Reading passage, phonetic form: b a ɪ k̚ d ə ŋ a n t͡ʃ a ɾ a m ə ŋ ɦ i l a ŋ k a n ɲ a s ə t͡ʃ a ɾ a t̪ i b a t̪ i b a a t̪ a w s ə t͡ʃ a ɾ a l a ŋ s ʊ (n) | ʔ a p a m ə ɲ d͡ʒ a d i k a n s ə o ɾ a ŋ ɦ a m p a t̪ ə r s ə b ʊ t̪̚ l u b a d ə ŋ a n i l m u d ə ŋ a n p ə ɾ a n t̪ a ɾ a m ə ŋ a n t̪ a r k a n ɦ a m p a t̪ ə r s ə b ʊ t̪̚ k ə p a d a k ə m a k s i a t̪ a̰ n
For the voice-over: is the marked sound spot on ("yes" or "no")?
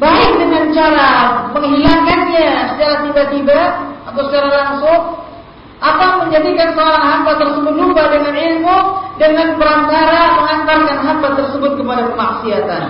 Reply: no